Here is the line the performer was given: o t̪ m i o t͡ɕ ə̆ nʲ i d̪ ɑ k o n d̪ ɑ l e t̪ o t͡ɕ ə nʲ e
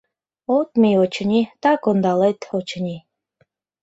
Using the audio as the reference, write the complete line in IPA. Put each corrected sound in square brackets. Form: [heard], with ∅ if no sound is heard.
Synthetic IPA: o t̪ m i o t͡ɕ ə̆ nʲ i [t̪] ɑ k o n d̪ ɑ l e t̪ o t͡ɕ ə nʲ [i]